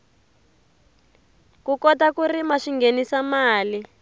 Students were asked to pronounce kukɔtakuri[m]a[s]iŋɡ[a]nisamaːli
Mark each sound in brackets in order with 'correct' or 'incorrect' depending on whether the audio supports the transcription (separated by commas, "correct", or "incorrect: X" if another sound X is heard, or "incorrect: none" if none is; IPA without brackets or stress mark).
correct, incorrect: ʃ, incorrect: e